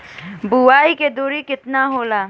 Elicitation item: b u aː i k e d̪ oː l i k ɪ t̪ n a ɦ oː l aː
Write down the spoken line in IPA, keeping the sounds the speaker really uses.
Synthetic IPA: b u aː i k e d̪ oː ɾ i k ɪ t̪ n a ɦ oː l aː